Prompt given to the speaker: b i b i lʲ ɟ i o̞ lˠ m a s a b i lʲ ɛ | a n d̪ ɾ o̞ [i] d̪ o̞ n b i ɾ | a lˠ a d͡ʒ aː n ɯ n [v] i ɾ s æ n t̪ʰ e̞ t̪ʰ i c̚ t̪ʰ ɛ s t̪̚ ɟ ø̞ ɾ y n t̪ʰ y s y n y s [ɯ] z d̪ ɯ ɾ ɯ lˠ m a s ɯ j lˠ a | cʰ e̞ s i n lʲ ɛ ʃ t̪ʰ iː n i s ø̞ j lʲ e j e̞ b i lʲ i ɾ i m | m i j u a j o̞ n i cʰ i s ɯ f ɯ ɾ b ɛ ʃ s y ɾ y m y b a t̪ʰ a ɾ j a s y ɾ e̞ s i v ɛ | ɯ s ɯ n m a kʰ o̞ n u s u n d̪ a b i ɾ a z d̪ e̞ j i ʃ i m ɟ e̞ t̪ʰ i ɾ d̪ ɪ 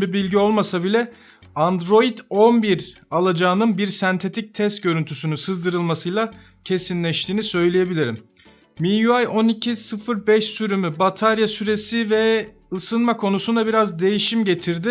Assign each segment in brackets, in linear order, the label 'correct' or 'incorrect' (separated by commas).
correct, incorrect, correct